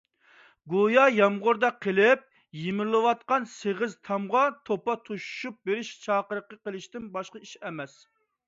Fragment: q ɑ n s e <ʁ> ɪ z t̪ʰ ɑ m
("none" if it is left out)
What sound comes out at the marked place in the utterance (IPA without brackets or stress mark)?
ʁ